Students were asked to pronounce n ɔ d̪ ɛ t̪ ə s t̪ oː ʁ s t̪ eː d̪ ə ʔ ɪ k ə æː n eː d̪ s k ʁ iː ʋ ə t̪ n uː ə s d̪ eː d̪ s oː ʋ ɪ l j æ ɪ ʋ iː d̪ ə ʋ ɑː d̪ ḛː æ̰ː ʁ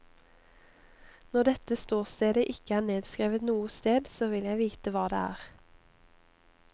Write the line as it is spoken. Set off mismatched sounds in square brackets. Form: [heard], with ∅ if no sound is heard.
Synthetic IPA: n ɔ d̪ ɛ t̪ ə s t̪ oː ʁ s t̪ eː d̪ ə ʔ ɪ k ə æː n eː d̪ s k ʁ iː ʋ ə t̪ n uː ə s [t̪] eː d̪ s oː ʋ ɪ l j æ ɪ ʋ iː [t̪] ə ʋ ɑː d̪ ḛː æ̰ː ʁ